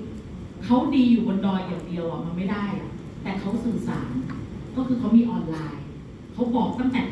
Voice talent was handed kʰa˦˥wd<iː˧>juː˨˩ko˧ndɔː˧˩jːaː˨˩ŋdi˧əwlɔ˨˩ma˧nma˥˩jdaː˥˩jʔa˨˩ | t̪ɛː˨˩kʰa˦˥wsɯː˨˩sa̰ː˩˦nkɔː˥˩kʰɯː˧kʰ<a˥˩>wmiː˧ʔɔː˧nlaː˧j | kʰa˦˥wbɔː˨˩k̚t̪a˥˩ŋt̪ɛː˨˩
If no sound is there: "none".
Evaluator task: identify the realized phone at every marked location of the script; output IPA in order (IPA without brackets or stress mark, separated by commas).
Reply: iː˧, a˦˥